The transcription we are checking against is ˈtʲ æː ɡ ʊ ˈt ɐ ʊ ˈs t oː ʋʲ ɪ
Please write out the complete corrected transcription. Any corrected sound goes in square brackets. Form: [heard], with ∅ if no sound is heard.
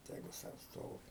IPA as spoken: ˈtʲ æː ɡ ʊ [ˈs] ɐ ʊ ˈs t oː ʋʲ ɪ